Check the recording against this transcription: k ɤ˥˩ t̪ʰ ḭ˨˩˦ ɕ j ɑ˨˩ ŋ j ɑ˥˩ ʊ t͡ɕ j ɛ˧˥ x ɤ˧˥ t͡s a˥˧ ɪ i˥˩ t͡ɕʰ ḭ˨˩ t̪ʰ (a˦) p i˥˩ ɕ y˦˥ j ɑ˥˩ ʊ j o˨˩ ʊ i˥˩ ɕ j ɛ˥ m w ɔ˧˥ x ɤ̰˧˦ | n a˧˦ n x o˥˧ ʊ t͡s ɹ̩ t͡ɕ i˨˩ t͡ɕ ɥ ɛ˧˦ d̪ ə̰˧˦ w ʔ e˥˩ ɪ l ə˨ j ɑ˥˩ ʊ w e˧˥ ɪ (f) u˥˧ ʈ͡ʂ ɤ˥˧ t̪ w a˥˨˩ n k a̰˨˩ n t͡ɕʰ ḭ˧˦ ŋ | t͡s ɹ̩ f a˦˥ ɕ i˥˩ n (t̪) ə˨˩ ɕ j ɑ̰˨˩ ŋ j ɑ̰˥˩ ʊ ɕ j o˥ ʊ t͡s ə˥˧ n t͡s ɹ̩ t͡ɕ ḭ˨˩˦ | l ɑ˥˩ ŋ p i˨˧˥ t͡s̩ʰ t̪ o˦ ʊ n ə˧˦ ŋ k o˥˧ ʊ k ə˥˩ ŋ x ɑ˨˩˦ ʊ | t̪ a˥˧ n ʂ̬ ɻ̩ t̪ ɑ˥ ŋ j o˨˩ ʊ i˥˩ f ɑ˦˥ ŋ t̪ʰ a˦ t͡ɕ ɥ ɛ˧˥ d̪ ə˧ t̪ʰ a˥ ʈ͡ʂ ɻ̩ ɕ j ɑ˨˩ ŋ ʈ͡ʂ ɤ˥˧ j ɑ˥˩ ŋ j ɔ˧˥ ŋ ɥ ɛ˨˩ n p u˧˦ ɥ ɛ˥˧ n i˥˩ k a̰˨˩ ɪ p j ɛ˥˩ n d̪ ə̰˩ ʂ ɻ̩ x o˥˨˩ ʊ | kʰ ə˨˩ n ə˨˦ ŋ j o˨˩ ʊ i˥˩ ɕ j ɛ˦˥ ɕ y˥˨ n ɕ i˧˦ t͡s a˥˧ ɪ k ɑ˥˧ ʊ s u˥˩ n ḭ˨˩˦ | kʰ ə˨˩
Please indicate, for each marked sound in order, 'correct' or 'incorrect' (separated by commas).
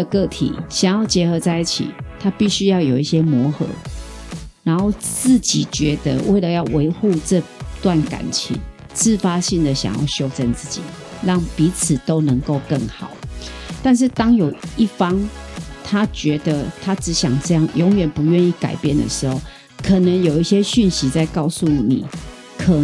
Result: correct, incorrect, incorrect